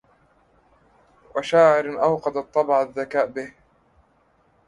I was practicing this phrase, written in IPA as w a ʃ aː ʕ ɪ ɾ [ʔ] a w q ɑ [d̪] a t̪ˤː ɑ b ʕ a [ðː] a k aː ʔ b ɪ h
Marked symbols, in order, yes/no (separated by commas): yes, yes, yes